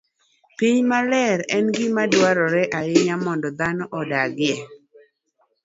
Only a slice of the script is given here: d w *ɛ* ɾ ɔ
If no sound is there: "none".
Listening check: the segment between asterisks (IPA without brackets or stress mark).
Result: a